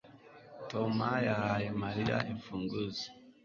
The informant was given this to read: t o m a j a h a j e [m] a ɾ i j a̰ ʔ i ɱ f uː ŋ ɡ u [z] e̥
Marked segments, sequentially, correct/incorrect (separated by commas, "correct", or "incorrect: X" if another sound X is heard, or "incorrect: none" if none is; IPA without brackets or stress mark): correct, correct